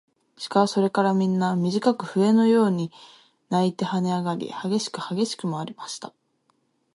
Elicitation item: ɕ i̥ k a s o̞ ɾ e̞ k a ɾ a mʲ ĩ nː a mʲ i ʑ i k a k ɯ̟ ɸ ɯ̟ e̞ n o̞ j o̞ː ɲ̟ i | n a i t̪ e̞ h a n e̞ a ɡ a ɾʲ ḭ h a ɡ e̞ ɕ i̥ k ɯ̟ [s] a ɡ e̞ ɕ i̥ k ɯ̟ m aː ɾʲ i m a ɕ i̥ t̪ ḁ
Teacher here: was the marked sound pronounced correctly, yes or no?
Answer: no